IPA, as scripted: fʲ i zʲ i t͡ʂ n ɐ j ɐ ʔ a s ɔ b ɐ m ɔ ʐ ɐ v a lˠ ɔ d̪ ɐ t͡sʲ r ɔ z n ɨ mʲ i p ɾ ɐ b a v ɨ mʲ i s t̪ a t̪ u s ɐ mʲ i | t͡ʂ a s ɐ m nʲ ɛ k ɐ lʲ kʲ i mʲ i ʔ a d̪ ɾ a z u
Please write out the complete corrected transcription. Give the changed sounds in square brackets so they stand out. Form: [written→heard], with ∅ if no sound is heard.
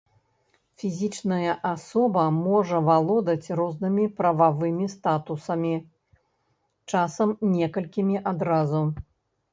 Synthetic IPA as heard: fʲ i zʲ i t͡ʂ n ɐ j ɐ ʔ a s ɔ b ɐ m ɔ ʐ ɐ v a lˠ ɔ d̪ ɐ t͡sʲ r ɔ z n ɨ mʲ i p ɾ ɐ [b→v] a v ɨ mʲ i s t̪ a t̪ u s ɐ mʲ i | t͡ʂ a s ɐ m nʲ ɛ k ɐ lʲ kʲ i mʲ i ʔ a d̪ ɾ a z u